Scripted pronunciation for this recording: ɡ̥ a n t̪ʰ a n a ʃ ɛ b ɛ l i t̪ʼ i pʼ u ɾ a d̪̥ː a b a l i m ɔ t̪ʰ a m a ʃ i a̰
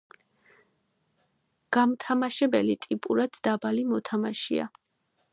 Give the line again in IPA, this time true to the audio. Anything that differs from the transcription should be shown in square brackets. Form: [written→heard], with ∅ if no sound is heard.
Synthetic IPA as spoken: ɡ̥ a [n→m] t̪ʰ a [n→m] a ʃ ɛ b ɛ l i t̪ʼ i pʼ u ɾ a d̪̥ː a b a l i m ɔ t̪ʰ a m a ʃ i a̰